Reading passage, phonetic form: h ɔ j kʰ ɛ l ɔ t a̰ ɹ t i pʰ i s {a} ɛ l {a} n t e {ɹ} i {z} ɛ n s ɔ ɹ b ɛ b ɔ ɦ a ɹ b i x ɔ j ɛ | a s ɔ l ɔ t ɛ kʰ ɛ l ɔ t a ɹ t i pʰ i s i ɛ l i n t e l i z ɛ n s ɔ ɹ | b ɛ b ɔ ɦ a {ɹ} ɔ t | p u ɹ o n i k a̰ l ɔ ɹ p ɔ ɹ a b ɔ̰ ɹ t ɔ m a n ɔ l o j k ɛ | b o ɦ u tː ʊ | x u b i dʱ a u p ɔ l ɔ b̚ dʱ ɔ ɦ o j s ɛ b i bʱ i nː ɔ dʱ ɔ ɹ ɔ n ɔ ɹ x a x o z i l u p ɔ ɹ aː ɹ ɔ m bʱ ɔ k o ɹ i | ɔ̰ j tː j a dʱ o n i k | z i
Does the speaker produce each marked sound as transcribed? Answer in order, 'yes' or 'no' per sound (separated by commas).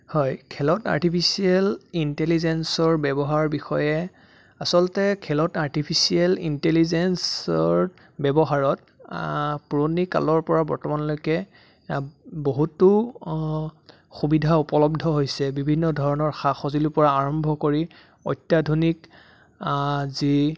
no, no, no, yes, yes